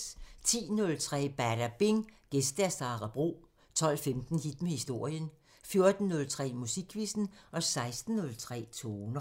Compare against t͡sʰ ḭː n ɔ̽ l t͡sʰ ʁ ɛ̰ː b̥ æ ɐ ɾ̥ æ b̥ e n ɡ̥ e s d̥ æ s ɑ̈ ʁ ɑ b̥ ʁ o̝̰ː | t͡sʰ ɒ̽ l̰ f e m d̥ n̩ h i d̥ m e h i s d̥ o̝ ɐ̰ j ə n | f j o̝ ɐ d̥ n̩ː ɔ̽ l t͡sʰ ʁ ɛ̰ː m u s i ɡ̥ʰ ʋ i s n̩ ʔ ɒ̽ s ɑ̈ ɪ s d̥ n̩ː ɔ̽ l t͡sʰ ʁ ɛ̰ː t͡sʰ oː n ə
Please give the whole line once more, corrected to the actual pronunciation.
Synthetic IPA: t͡sʰ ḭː n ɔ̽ l t͡sʰ ʁ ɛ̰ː b̥ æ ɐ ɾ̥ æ b̥ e ŋ ɡ̥ e s d̥ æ s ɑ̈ ʁ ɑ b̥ ʁ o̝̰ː | t͡sʰ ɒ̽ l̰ f e m d̥ n̩ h i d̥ m e h i s d̥ o̝ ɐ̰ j ə n | f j o̝ ɐ d̥ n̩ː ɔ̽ l t͡sʰ ʁ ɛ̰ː m u s i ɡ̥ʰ ʋ i s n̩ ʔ ɒ̽ s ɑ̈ ɪ s d̥ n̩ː ɔ̽ l t͡sʰ ʁ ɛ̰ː t͡sʰ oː n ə

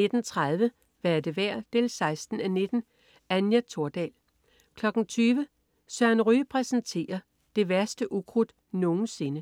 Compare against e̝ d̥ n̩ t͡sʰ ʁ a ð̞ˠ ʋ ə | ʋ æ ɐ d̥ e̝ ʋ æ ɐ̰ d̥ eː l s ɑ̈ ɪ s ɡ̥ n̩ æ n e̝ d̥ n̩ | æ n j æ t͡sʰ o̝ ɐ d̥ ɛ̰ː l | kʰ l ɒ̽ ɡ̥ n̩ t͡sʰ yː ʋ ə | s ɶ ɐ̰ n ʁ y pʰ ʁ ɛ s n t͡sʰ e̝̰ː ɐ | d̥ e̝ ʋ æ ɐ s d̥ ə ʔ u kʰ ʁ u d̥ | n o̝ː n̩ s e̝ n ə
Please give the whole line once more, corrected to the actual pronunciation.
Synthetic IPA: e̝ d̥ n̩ t͡sʰ ʁ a ð̞ˠ ʋ ə | ʋ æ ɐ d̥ e̝ ʋ æ ɐ̰ d̥ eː l s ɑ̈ ɪ s d̥ n̩ æ n e̝ d̥ n̩ | æ n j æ t͡sʰ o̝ ɐ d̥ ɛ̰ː l | kʰ l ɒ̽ ɡ̥ n̩ t͡sʰ yː ʋ ə | s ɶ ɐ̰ n ʁ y pʰ ʁ ɛ s n t͡sʰ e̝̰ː ɐ | d̥ e̝ ʋ æ ɐ s d̥ ə ʔ u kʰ ʁ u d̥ | n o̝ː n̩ s e̝ n ə

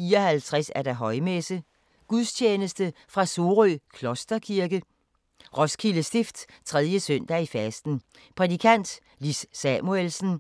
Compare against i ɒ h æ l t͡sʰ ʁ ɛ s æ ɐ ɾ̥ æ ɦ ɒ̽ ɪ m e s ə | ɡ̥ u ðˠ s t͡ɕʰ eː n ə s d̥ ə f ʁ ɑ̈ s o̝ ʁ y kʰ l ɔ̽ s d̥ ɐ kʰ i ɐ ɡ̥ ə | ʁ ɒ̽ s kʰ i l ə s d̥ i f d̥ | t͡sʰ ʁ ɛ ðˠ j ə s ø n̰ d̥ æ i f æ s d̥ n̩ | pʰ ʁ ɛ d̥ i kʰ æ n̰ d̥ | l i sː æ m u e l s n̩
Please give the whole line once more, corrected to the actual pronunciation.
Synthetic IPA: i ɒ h æ l t͡sʰ ʁ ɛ s æ ɐ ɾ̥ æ ɦ ɒ̽ ɪ m e s ə | ɡ̥ u ðˠ s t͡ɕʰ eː n ə s d̥ ə f ʁ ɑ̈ s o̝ ʁ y kʰ l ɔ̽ s d̥ ɐ kʰ i ɐ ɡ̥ ə | ʁ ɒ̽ s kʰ i l ə s d̥ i f d̥ | t͡sʰ ʁ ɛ ðˠ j ə s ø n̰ d̥ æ i f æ s d̥ n̩ | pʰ ʁ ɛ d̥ i kʰ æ n̰ d̥ | l i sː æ m u e l s n̩

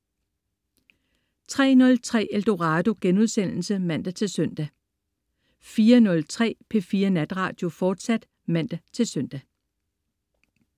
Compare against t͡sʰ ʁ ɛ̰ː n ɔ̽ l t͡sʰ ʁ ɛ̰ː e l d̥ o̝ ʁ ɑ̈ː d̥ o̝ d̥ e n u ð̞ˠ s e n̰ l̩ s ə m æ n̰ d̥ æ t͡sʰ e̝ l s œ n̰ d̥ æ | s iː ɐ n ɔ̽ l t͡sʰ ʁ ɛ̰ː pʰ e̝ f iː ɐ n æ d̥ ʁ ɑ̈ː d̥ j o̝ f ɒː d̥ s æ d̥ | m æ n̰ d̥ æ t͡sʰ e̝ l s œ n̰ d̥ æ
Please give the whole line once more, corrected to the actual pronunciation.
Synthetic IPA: t͡sʰ ʁ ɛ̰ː n ɔ̽ l t͡sʰ ʁ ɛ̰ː e l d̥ o̝ ʁ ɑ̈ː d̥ o̝ ɡ̥ e n u ð̞ˠ s e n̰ l̩ s ə m æ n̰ d̥ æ t͡sʰ e̝ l s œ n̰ d̥ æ | f iː ɐ n ɔ̽ l t͡sʰ ʁ ɛ̰ː pʰ e̝ f iː ɐ n æ d̥ ʁ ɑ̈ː d̥ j o̝ f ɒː d̥ s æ d̥ | m æ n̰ d̥ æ t͡sʰ e̝ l s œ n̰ d̥ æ

